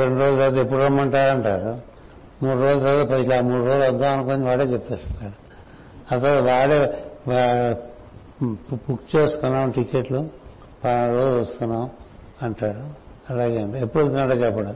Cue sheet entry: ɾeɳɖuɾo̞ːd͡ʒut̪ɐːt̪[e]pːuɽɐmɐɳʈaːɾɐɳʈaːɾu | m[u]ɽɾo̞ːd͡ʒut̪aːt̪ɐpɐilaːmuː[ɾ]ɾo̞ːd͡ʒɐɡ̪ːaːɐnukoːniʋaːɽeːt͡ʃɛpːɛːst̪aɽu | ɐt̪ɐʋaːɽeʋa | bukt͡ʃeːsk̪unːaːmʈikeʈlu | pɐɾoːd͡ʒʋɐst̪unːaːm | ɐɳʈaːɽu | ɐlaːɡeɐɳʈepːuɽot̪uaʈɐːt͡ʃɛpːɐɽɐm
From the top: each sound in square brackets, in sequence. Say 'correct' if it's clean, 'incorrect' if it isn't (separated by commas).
correct, incorrect, incorrect